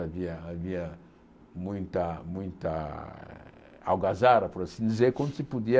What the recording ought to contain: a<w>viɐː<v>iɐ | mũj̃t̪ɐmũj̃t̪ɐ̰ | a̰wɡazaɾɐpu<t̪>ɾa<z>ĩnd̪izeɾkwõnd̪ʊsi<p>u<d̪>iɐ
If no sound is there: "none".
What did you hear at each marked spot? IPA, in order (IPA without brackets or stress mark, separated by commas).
none, v, none, s, p, d̪